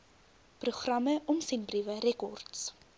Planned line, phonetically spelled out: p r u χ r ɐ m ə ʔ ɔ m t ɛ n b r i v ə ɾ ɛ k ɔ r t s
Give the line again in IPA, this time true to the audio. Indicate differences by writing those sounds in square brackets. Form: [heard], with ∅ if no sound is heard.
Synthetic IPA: p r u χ r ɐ m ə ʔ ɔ m [s] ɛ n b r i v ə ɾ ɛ k ɔ r t s

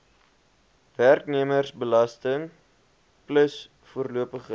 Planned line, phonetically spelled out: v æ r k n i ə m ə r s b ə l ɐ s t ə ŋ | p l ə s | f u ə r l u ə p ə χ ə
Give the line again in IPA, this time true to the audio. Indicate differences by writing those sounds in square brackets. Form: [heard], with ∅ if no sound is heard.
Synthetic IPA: v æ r k n i ə m ə r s b ə l ɐ s t ə ŋ | p l ə s | f u ə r l u ə p ə χ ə

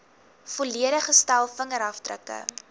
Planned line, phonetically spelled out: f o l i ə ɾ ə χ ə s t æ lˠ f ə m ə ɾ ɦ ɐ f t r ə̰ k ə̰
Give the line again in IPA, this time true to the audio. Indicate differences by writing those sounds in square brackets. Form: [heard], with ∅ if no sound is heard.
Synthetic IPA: f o l i ə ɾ ə χ ə s t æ lˠ f ə [ŋ] ə ɾ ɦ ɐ f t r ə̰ k ə̰

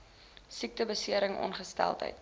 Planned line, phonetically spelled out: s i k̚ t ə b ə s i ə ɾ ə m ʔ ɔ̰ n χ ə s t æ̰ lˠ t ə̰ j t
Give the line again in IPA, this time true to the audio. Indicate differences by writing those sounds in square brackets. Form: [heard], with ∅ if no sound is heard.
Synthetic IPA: s i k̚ t ə b ə s i ə ɾ ə [ŋ] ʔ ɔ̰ n χ ə s t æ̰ lˠ t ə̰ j t

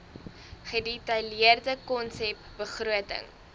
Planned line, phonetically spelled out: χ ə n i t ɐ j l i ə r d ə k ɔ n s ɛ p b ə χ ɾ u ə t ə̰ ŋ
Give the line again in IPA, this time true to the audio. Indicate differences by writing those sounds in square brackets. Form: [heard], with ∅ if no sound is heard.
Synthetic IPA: χ ə [d] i t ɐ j l i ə r d ə k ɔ n s ɛ p b ə χ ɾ u ə t ə̰ ŋ

